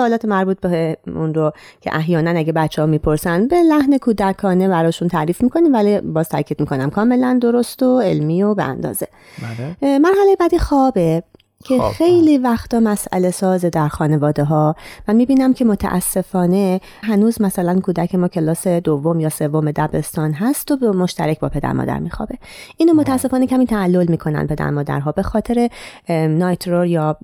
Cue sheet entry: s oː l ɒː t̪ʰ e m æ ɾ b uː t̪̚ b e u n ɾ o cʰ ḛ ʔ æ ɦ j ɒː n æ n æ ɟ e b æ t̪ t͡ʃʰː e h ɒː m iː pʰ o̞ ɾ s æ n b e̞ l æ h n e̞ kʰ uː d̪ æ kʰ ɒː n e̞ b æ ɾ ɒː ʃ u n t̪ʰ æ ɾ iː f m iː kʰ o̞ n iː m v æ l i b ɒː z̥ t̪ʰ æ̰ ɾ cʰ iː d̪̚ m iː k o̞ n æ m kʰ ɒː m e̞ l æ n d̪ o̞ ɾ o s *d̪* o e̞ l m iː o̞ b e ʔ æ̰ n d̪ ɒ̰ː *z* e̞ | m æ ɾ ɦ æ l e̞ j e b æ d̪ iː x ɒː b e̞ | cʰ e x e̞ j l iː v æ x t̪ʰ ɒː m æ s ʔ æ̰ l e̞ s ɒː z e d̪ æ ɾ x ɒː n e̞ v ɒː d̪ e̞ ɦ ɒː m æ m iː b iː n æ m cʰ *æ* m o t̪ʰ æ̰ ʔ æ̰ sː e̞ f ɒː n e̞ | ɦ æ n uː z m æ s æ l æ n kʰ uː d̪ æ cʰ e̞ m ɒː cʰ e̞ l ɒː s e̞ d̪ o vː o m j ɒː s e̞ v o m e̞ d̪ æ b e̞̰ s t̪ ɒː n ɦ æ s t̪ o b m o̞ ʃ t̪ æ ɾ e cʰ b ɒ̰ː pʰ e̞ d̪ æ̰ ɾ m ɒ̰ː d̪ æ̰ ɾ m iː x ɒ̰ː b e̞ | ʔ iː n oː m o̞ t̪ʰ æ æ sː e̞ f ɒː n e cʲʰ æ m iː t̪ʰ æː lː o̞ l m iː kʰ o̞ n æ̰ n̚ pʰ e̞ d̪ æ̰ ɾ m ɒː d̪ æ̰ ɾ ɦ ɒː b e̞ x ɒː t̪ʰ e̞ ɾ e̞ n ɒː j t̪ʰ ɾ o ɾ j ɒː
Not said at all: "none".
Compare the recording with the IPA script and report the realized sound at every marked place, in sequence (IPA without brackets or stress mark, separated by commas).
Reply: t̪, z, e